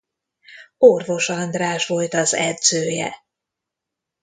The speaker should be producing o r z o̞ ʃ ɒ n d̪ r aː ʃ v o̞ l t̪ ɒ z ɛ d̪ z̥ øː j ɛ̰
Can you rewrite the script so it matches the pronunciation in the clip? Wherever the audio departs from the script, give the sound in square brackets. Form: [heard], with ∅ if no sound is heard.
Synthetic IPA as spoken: o r [v] o̞ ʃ ɒ n d̪ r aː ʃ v o̞ l t̪ ɒ z ɛ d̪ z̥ øː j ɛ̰